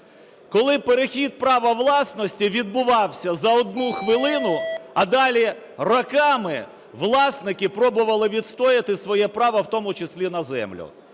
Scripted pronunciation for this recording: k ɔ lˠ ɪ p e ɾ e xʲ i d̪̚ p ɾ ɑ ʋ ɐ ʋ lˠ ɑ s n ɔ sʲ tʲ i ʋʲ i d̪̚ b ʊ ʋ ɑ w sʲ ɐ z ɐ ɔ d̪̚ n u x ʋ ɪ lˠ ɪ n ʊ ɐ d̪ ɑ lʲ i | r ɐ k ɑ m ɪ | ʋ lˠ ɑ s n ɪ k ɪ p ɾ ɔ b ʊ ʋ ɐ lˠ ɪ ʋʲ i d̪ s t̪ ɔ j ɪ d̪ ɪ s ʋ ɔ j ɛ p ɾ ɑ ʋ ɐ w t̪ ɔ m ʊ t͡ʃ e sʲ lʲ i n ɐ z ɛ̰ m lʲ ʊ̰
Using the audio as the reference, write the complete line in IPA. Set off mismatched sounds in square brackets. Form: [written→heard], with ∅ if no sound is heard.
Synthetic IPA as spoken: k ɔ lˠ ɪ p e ɾ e xʲ i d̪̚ p ɾ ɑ ʋ ɐ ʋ lˠ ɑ s n ɔ sʲ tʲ i ʋʲ i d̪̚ b ʊ ʋ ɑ w sʲ ɐ z ɐ ɔ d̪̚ n u x ʋ ɪ lˠ ɪ n ʊ ɐ d̪ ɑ lʲ i | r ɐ k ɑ m ɪ | ʋ lˠ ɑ s n ɪ k ɪ p ɾ ɔ b ʊ ʋ ɐ lˠ ɪ ʋʲ i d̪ s t̪ ɔ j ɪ [d̪→t̪] ɪ s ʋ ɔ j ɛ p ɾ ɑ ʋ ɐ w t̪ ɔ m ʊ t͡ʃ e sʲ lʲ i n ɐ z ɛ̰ m lʲ ʊ̰